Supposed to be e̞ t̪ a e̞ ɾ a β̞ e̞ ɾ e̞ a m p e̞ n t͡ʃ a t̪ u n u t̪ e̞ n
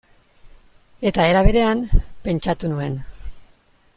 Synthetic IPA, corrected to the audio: e̞ t̪ a e̞ ɾ a β̞ e̞ ɾ e̞ a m p e̞ n t͡ʃ a t̪ u n u e̞ n